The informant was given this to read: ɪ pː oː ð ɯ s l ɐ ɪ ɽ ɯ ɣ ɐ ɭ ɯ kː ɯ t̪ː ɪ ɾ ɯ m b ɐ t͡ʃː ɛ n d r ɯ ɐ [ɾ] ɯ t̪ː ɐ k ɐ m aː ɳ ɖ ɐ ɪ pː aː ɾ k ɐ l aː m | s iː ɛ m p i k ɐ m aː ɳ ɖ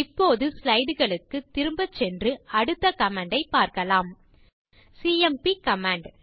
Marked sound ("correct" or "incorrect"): incorrect